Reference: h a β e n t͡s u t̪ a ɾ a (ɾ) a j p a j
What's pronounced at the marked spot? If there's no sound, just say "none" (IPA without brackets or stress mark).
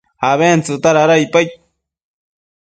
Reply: ɾ